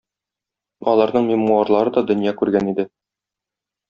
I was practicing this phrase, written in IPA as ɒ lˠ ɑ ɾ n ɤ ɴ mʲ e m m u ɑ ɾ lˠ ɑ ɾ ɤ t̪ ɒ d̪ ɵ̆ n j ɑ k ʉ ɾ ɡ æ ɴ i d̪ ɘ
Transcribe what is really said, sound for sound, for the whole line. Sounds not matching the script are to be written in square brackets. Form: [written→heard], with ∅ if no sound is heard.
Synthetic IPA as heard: ɒ lˠ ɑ ɾ n ɤ ɴ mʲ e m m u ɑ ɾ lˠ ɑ ɾ ɤ [t̪→d̪] ɒ d̪ ɵ̆ n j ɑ k ʉ ɾ ɡ æ [ɴ→n] i d̪ ɘ